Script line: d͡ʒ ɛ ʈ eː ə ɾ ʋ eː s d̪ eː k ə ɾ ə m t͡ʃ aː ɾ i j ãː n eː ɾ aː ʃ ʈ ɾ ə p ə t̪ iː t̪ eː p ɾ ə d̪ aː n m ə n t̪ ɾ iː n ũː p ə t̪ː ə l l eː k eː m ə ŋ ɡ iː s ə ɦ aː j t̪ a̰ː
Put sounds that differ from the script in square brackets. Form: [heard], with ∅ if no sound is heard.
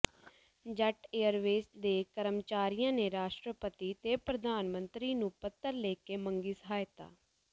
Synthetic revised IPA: d͡ʒ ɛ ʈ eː ə ɾ ʋ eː s d̪ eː k ə ɾ ə m t͡ʃ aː ɾ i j ãː n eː ɾ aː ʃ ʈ ɾ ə p ə t̪ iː t̪ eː p ɾ ə d̪ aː n m ə n t̪ ɾ iː n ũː p ə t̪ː ə [ɾ] l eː k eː m ə ŋ ɡ iː s ə ɦ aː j t̪ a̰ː